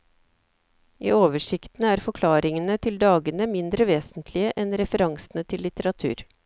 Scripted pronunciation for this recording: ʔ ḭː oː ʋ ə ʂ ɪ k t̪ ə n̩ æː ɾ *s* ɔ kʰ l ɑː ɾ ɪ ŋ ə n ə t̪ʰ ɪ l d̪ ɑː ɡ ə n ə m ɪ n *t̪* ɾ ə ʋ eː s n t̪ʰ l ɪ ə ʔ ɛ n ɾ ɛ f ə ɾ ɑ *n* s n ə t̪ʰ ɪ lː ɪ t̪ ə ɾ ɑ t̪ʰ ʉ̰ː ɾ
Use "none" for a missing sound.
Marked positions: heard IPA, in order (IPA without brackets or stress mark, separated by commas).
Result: f, d̪, ŋ